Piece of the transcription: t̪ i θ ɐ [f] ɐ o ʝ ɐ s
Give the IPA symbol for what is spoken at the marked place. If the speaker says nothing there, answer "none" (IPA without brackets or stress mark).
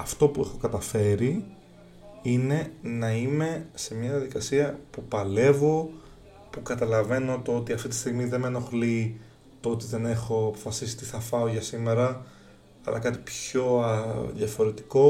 f